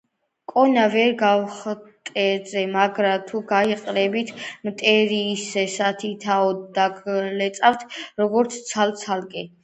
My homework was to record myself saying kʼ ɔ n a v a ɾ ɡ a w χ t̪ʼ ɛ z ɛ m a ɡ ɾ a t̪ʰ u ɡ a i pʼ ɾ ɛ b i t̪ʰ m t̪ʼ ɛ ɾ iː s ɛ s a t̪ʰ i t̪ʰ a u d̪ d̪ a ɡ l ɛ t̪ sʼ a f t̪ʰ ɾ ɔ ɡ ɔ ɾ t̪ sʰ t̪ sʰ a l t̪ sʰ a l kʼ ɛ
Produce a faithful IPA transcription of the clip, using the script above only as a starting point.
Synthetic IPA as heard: kʼ ɔ n a v ɛ ɾ ɡ a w χ t̪ʼ ɛ z ɛ m a ɡ ɾ a t̪ʰ u ɡ a i qʼ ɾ ɛ b i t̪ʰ m t̪ʼ ɛ ɾ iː s ɛ s a t̪ʰ i t̪ʰ a ɔ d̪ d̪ a ɡ l ɛ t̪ sʼ a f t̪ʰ ɾ ɔ ɡ ɔ ɾ t̪ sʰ t̪ sʰ a l t̪ sʰ a l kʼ ɛ